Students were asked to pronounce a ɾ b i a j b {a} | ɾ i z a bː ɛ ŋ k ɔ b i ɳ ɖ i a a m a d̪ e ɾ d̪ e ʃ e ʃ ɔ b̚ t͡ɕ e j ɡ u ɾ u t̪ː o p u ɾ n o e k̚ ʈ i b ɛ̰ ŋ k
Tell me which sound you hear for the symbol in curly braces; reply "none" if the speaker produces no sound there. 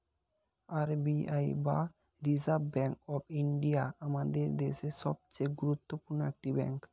a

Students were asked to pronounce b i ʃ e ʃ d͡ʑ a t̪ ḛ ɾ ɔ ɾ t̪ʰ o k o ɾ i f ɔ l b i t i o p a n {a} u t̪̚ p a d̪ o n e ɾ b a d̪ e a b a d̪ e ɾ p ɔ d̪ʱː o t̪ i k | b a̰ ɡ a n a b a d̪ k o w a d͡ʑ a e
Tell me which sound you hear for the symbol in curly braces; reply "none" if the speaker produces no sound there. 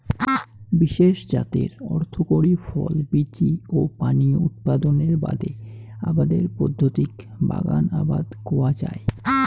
i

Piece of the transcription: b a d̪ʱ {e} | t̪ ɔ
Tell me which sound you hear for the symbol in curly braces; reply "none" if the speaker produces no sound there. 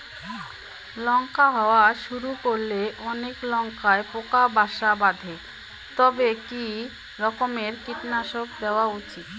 e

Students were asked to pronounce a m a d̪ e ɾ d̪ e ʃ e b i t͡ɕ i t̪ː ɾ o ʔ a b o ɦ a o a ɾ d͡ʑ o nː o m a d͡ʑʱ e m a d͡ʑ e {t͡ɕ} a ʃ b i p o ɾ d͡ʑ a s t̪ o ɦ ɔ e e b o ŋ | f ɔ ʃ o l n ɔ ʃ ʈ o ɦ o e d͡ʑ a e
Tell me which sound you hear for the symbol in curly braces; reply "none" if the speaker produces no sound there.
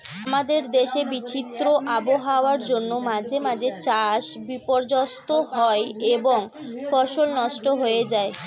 t͡ɕ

